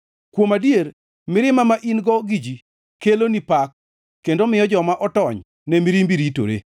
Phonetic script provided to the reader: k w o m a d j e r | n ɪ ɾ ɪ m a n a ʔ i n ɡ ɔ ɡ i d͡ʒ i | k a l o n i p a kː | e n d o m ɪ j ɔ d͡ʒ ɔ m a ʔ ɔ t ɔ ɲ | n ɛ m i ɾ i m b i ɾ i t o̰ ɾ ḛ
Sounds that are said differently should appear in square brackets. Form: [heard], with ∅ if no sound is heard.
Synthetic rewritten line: k w o m a d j e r | [m] ɪ ɾ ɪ m a [m] a ʔ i n ɡ ɔ ɡ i d͡ʒ i | k [e] l o n i p a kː | e n d o m ɪ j ɔ d͡ʒ ɔ m a ʔ ɔ t ɔ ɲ | n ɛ m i ɾ i m b i ɾ i t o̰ ɾ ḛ